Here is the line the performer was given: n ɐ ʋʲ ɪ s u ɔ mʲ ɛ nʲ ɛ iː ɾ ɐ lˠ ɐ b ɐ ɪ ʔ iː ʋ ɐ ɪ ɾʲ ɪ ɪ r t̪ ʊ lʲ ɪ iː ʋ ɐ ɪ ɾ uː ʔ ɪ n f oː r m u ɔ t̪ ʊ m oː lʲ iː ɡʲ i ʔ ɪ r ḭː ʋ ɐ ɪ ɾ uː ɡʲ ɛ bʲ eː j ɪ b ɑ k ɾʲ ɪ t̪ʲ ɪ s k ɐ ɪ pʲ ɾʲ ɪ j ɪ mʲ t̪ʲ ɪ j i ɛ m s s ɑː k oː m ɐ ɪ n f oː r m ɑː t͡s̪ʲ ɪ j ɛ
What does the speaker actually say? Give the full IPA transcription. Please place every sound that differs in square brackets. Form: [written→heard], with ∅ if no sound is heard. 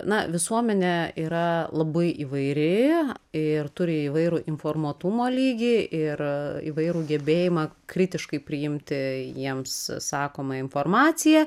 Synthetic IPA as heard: n ɐ ʋʲ ɪ s u ɔ mʲ ɛ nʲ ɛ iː ɾ ɐ lˠ ɐ b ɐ ɪ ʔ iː ʋ ɐ ɪ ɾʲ ɪ ɪ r t̪ ʊ [lʲ→ɾʲ] ɪ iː ʋ ɐ ɪ ɾ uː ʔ ɪ n f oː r m u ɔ t̪ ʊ m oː lʲ iː ɡʲ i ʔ ɪ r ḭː ʋ ɐ ɪ ɾ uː ɡʲ ɛ bʲ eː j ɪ [b→m] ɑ k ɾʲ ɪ t̪ʲ ɪ [s→ʃ] k ɐ ɪ pʲ ɾʲ ɪ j ɪ mʲ t̪ʲ ɪ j i ɛ m s s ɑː k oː m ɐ ɪ n f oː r m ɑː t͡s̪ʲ ɪ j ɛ